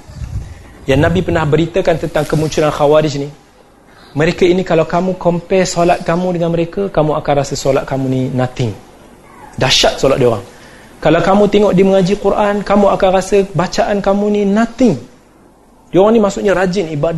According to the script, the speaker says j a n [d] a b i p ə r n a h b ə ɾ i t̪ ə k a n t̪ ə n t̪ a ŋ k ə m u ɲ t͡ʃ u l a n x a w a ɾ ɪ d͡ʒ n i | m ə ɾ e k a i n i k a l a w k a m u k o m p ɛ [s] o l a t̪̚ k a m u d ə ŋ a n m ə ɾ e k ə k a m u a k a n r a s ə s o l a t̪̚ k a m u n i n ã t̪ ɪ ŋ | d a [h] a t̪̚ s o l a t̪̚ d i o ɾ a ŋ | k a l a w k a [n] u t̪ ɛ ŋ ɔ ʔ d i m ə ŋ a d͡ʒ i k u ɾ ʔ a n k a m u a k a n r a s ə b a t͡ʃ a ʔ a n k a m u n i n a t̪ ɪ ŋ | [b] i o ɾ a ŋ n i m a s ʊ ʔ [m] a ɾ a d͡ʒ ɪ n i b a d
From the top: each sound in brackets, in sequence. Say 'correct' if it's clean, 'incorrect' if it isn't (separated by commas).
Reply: incorrect, correct, incorrect, incorrect, incorrect, incorrect